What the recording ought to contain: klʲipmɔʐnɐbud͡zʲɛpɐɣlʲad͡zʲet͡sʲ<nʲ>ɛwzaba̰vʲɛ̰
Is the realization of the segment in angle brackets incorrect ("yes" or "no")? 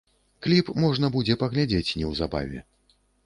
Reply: no